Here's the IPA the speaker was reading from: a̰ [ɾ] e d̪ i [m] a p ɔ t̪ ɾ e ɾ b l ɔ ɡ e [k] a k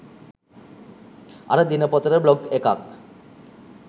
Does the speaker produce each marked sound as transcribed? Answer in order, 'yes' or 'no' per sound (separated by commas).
yes, no, yes